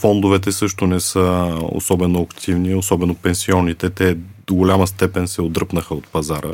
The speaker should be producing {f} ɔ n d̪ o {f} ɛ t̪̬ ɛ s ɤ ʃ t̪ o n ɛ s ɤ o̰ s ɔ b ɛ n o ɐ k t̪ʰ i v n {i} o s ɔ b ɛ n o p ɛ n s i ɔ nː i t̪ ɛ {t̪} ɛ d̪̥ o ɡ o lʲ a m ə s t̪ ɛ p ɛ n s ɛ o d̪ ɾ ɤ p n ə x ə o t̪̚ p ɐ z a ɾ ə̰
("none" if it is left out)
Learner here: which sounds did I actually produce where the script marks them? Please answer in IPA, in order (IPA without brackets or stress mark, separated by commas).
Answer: f, v, i, t̪